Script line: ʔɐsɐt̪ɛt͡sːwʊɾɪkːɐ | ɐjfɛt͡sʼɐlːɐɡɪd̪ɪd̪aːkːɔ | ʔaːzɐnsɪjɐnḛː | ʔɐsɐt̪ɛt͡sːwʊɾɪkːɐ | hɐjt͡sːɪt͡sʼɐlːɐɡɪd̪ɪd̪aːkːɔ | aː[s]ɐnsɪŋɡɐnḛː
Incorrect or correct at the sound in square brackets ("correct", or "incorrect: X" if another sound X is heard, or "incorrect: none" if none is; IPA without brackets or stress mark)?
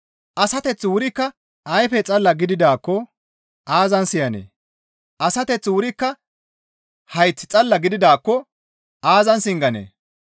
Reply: incorrect: z